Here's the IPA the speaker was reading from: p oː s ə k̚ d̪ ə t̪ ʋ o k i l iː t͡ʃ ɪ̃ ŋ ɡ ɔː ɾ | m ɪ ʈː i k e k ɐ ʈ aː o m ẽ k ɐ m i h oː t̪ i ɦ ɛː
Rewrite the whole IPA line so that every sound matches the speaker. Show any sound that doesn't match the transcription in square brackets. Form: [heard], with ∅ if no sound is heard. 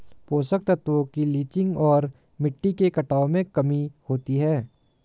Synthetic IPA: p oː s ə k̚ [t̪] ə t̪ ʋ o k i l iː t͡ʃ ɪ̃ ŋ ɡ ɔː ɾ | m ɪ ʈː i k e k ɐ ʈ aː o m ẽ k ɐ m i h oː t̪ i ɦ ɛː